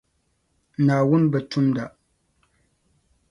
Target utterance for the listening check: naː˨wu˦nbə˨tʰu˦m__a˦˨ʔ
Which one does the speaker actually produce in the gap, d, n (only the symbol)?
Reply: d